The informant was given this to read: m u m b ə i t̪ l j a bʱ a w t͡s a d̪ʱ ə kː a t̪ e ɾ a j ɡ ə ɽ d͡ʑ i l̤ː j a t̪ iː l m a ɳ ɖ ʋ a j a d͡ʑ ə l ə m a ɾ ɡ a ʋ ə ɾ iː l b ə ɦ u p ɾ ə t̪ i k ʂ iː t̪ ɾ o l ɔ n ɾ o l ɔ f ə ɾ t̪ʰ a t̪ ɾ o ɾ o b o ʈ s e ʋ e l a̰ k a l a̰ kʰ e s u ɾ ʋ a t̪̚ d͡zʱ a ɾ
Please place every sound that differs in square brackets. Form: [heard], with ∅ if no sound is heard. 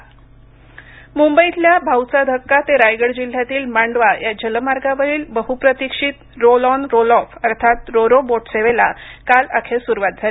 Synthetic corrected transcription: m u m b ə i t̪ l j a bʱ a w t͡s a d̪ʱ ə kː a t̪ e ɾ a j ɡ ə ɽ d͡ʑ i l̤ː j a t̪ iː l m a ɳ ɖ ʋ a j a d͡ʑ ə l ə m a ɾ ɡ a ʋ ə ɾ iː l b ə ɦ u p ɾ ə t̪ i k ʂ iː t̪ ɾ o l ɔ n ɾ o l ɔ f ə ɾ t̪ʰ a t̪ ɾ o ɾ o b o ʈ s e ʋ e l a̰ k a l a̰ kʰ e s u ɾ ʋ a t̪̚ d͡zʱ a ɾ